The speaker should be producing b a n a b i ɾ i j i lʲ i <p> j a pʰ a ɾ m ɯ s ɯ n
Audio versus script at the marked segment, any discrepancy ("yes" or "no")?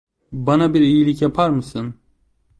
yes